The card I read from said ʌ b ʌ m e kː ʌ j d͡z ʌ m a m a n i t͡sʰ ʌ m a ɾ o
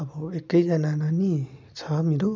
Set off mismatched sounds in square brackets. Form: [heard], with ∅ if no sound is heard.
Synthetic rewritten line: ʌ b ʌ [∅] e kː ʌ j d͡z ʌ [n] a [n] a n i t͡sʰ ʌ m [e] ɾ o